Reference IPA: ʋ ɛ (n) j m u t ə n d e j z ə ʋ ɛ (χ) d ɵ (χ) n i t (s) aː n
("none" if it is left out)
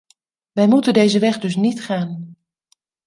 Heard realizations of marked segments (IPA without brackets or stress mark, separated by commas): none, χ, s, χ